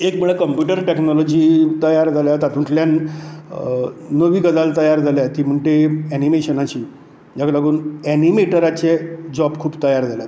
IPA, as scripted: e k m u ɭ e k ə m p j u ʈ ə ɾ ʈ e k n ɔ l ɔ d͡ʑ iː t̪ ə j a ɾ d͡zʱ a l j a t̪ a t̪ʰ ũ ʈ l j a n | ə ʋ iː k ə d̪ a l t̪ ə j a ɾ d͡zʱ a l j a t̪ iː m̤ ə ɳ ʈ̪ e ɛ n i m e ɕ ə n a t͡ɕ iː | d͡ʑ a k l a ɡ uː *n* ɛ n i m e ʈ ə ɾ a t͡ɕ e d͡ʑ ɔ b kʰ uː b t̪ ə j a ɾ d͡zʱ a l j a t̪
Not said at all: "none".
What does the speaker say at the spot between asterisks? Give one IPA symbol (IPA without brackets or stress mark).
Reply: n